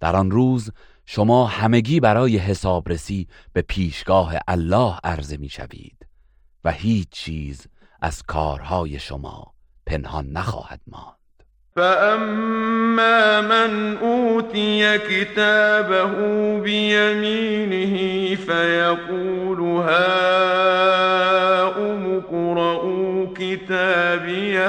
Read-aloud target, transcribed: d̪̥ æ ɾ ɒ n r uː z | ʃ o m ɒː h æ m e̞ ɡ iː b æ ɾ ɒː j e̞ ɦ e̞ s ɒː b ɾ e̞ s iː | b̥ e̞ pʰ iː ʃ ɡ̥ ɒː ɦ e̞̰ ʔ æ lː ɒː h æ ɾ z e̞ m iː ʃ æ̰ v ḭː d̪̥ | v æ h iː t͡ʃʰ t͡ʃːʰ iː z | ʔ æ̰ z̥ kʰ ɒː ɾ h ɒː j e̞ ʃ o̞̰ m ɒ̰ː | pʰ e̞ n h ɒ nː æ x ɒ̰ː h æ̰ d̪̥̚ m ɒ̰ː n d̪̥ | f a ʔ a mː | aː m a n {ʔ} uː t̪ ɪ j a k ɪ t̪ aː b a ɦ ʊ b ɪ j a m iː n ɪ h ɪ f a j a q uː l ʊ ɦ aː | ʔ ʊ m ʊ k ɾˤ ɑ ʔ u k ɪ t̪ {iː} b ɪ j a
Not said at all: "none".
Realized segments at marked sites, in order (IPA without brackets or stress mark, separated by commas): ʔ, aː